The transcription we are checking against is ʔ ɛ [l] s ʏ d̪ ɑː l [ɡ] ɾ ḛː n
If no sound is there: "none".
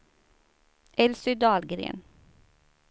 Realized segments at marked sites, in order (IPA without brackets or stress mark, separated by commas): l, ɡ